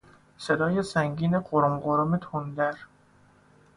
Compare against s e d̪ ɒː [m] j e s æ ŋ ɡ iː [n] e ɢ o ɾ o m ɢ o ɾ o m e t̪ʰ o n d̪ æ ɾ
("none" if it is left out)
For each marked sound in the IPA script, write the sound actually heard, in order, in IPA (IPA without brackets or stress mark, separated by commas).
none, n